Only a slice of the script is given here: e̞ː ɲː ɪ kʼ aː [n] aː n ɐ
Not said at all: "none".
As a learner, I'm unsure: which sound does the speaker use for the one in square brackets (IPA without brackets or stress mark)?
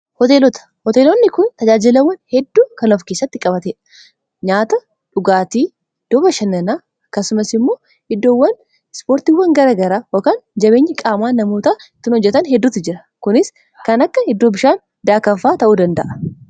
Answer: m